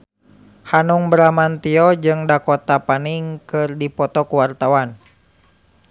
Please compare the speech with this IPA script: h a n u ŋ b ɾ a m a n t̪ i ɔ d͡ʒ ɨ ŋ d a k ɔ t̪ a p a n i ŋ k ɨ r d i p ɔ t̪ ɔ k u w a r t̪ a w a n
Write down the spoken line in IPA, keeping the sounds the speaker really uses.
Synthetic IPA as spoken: h a n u ŋ b ɾ a m a n t̪ i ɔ d͡ʒ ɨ ŋ d a k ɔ t̪ a p a n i ŋ k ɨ r d i p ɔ t̪ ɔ k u w a r t̪ a w a n